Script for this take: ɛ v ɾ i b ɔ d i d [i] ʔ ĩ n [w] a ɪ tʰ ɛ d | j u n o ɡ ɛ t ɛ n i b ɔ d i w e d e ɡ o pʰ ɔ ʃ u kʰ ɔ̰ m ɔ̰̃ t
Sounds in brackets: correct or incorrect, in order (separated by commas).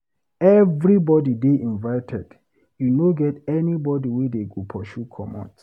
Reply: incorrect, incorrect